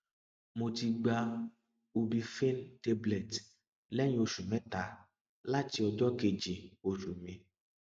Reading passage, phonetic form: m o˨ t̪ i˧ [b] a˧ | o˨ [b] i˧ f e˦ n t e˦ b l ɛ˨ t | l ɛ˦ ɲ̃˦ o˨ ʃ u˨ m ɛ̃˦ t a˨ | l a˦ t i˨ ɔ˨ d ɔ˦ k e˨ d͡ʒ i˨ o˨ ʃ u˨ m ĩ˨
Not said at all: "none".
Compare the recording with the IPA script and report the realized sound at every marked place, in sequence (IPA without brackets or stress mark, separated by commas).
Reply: ɡ͡b, b